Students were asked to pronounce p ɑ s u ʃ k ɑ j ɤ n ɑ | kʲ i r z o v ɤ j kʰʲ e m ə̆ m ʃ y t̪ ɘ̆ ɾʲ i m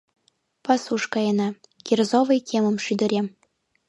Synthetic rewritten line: p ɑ s u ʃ k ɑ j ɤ n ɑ | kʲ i r z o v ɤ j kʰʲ e m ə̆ m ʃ y d̪ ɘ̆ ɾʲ e m